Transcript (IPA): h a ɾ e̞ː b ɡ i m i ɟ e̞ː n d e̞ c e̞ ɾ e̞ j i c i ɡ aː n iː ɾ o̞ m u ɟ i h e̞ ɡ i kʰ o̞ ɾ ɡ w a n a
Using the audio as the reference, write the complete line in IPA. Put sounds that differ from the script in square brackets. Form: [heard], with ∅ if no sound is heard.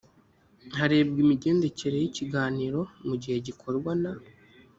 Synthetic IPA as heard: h a ɾ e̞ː b ɡ i m i ɟ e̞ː n d e̞ c e̞ ɾ e̞ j i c i ɡ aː n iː ɾ o̞ m u ɟ i h e̞ [ɟ] i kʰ o̞ ɾ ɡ w a n a